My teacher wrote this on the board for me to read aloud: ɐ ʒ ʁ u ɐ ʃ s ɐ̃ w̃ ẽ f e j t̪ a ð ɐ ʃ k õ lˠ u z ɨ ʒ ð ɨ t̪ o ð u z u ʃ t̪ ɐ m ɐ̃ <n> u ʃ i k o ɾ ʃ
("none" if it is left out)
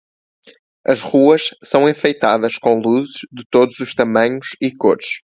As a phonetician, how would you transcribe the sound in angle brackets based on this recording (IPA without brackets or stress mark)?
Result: ɲ